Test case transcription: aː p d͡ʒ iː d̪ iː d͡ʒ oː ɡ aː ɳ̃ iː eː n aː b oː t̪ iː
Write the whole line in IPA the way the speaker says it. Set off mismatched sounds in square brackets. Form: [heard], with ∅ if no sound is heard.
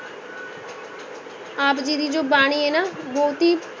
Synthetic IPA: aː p d͡ʒ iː d̪ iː d͡ʒ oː [b] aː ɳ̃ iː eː n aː b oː t̪ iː